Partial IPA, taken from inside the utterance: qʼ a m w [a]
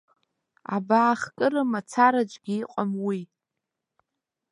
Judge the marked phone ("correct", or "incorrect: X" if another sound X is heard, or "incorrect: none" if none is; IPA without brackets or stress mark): incorrect: i